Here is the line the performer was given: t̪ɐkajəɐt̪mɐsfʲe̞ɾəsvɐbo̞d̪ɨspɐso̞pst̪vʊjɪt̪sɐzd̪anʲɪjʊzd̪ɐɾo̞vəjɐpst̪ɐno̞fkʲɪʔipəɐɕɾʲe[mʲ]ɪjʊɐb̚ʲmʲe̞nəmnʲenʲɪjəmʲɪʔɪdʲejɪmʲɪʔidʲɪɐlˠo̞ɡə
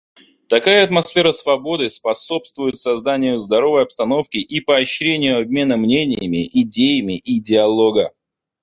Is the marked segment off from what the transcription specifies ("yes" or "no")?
yes